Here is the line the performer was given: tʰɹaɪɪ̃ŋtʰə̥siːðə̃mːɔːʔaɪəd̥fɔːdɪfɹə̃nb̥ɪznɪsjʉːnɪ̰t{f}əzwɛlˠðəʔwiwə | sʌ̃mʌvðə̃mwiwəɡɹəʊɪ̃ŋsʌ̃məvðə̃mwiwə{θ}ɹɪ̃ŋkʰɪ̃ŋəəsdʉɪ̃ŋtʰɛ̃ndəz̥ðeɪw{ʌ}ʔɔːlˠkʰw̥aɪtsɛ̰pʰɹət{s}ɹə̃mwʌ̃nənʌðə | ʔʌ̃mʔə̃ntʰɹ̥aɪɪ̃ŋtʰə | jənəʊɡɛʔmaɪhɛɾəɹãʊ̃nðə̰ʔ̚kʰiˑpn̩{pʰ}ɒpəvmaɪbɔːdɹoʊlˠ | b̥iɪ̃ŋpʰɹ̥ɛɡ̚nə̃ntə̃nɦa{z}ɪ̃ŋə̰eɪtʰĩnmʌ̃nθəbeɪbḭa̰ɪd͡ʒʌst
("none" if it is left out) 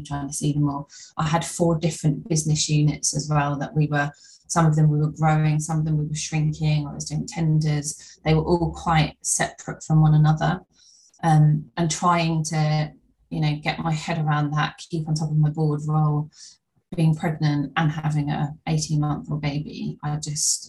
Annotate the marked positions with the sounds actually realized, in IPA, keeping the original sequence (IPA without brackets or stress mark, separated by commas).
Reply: s, ʃ, ə, f, tʰ, v